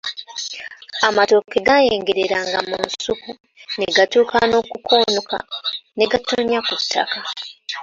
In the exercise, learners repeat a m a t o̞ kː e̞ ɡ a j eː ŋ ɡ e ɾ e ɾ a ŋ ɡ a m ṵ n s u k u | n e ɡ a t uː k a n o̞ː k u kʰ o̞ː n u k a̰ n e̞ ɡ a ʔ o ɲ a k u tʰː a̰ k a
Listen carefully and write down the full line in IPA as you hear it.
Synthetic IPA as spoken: a m a t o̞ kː e̞ ɡ a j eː ŋ ɡ e ɾ e ɾ a ŋ ɡ a m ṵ n s u k u | n e ɡ a t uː k a n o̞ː k u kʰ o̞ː n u k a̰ n e̞ ɡ a t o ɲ a k u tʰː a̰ k a